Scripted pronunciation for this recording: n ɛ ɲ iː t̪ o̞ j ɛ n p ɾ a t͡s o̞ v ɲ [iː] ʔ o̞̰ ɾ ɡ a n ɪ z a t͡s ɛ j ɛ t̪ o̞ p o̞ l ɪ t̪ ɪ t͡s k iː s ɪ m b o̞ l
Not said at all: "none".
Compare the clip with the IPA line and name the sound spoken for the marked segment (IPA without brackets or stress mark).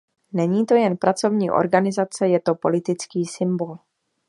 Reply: iː